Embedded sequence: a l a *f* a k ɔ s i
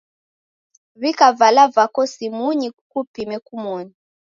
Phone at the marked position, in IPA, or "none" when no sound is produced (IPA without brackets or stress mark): v